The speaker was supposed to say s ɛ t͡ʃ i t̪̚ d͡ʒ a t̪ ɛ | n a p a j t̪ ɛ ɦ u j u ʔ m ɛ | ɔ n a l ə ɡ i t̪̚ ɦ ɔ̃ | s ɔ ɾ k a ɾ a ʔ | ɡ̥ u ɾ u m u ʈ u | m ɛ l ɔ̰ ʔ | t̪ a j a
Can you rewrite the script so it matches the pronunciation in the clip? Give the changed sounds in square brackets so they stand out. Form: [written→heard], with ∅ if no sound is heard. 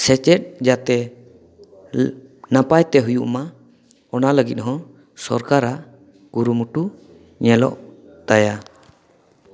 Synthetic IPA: s ɛ t͡ʃ [i→ɛ] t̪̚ d͡ʒ a t̪ ɛ | n a p a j t̪ ɛ ɦ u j u ʔ m [ɛ→a] | ɔ n a l ə ɡ i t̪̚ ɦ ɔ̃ | s ɔ ɾ k a ɾ a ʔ | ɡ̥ u ɾ u m u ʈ u | [m→ɲ] ɛ l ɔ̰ ʔ | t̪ a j a